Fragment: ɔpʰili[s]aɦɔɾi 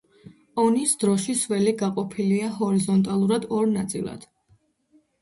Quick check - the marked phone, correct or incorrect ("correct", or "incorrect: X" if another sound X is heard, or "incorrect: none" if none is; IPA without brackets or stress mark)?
incorrect: none